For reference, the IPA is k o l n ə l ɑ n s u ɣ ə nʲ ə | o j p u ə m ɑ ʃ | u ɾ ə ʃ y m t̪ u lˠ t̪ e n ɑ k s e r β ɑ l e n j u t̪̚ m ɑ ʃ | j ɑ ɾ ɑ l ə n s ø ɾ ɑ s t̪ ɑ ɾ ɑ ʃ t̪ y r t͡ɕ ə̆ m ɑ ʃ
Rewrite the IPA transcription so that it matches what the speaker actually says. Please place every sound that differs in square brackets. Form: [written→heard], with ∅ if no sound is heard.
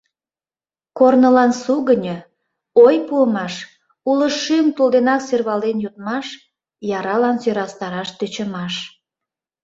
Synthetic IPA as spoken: k o [l→r] n ə l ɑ n s u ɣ ə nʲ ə | o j p u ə m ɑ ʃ | u [ɾ→l] ə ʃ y m t̪ u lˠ [t̪→d̪] e n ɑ k s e r β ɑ l e n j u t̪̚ m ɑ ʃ | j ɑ ɾ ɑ l [ə→ɑ] n s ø ɾ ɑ s t̪ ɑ ɾ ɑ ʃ t̪ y [r→∅] t͡ɕ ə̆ m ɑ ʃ